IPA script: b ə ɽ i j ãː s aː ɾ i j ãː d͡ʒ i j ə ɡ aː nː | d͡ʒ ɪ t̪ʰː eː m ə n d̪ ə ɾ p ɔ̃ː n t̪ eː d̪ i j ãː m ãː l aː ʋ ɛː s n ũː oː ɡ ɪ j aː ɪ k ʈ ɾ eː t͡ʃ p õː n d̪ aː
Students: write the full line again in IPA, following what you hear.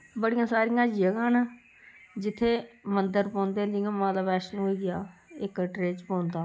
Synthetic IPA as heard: b ə ɽ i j ãː s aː ɾ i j ãː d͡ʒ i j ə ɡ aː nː | d͡ʒ ɪ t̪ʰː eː m ə n d̪ ə ɾ p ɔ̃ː n d̪ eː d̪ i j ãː m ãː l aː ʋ ɛː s n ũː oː ɡ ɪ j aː ɪ k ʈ ɾ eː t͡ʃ p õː n d̪ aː